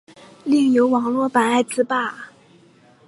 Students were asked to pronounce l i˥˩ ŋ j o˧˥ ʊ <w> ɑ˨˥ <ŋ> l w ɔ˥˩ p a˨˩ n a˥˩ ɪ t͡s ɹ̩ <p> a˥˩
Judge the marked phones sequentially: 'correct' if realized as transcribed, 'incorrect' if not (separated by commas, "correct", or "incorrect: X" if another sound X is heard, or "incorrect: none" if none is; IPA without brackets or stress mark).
correct, correct, correct